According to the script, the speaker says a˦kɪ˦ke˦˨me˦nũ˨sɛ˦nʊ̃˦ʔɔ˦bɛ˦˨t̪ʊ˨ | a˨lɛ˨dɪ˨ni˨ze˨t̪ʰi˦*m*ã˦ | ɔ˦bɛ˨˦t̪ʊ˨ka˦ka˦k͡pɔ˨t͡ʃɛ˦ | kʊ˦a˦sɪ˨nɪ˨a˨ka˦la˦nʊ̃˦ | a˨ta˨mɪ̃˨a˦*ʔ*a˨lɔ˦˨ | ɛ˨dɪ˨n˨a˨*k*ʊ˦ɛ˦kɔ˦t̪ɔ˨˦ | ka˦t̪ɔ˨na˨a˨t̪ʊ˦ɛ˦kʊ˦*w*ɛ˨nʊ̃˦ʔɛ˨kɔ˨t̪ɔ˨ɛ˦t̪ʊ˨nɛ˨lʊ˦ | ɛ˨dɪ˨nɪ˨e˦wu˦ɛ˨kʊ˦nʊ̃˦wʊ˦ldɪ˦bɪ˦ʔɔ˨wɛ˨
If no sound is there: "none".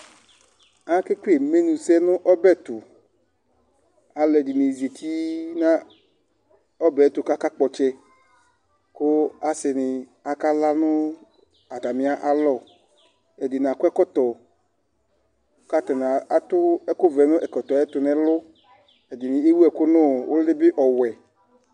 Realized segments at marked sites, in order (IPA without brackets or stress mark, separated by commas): n, ʔ, k, v